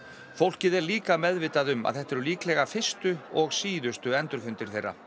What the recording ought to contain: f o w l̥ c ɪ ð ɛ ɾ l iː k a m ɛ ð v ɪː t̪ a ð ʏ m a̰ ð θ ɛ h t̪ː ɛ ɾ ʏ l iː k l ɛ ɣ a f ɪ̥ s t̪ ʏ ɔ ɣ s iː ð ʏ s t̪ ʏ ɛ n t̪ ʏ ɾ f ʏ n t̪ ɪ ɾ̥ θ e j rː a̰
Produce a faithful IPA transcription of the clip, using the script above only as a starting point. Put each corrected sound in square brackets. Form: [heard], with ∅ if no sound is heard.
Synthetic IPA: f o w l̥ c ɪ ð ɛ ɾ l iː k a m ɛ ð v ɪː t̪ a ð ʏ m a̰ ð θ ɛ h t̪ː ɛ ɾ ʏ l iː k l ɛ ɣ a f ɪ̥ s t̪ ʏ ɔ ɣ s iː ð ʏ s t̪ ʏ ɛ n t̪ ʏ ɾ f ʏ n t̪ ɪ ɾ̥ θ e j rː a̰